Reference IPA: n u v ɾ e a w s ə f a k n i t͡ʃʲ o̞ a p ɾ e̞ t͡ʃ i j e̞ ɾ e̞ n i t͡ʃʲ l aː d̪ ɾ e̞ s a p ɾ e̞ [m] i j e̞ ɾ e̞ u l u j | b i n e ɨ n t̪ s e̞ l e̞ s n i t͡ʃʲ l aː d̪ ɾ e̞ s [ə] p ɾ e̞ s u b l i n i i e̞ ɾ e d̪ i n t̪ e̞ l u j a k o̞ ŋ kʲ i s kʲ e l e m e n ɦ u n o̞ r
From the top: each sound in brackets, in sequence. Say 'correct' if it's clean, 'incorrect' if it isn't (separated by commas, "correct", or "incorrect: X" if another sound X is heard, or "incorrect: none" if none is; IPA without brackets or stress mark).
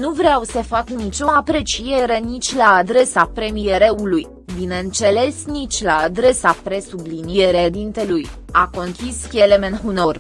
correct, incorrect: a